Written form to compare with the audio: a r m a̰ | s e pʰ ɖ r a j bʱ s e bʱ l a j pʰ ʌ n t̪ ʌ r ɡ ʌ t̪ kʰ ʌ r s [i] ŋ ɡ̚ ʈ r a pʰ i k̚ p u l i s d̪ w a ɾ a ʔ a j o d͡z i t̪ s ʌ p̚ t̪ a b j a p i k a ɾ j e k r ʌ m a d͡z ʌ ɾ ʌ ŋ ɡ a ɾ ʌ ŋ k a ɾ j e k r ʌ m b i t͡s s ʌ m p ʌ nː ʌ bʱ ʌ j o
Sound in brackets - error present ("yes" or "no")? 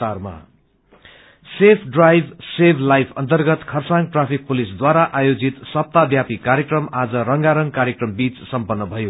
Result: yes